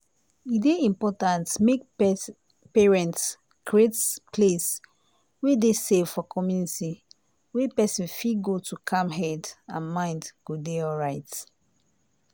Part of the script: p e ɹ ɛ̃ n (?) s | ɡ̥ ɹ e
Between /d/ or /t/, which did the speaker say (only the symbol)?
t